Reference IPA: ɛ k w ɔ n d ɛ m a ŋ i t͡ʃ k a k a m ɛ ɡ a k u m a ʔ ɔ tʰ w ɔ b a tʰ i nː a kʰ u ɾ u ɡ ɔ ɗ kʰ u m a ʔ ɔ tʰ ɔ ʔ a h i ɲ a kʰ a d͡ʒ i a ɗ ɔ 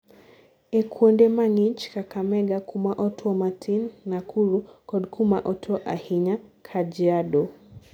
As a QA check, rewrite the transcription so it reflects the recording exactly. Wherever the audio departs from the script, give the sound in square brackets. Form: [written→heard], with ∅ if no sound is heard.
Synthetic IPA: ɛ k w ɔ n d ɛ m a ŋ i t͡ʃ k a k a m ɛ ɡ a k u m a ʔ ɔ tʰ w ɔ [b→m] a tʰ i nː a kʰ u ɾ u [ɡ→k] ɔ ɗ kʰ u m a ʔ ɔ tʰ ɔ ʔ a h i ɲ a kʰ a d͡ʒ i a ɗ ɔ